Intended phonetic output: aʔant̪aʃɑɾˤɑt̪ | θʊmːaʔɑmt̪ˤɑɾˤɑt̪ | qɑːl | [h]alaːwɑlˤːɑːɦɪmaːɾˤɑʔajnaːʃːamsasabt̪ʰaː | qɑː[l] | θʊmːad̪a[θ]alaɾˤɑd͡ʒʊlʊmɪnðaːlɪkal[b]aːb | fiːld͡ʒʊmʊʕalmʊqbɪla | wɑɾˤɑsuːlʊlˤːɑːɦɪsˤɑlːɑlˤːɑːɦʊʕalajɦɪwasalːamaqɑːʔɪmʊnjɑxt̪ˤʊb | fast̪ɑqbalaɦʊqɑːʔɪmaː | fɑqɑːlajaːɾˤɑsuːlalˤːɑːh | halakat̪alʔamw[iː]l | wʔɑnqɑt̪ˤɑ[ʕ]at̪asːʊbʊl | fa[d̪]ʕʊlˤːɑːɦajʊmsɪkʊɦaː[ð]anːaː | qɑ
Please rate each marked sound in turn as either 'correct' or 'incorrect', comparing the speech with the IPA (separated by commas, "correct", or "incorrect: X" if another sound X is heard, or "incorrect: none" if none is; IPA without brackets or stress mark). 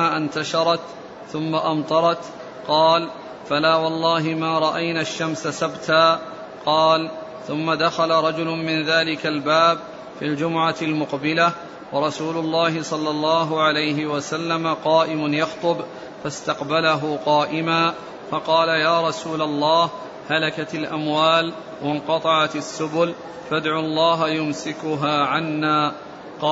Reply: incorrect: f, correct, incorrect: x, correct, incorrect: aː, correct, correct, incorrect: ʕ